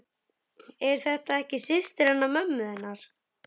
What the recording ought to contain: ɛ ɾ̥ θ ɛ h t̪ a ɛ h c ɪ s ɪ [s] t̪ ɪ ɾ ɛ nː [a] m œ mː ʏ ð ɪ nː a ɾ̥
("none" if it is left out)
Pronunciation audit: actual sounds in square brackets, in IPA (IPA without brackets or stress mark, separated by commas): s, a